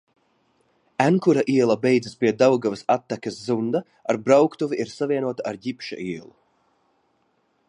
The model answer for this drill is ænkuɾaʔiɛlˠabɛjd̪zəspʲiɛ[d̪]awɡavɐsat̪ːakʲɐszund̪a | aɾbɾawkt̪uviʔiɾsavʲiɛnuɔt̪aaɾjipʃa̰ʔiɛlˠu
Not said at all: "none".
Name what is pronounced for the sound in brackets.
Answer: d̪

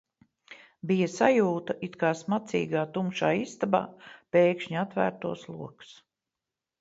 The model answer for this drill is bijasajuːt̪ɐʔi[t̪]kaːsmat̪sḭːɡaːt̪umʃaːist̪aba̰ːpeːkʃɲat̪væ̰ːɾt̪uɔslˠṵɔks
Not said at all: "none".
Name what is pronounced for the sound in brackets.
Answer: t̪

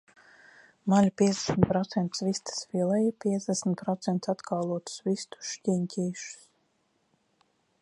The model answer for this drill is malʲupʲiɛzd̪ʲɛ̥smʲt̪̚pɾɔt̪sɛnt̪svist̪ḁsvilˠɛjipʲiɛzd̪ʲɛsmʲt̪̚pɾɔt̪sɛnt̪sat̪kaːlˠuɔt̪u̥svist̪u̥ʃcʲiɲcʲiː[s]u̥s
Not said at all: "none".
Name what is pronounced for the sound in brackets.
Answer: ʃ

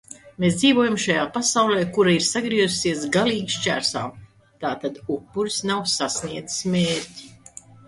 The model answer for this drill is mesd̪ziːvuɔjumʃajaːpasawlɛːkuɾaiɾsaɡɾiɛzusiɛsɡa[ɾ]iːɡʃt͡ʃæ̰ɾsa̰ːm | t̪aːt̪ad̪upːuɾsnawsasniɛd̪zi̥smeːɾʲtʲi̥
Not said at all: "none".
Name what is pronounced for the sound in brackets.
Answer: l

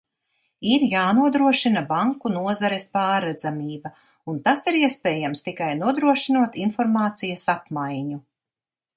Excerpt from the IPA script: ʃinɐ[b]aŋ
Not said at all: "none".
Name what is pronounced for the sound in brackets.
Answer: b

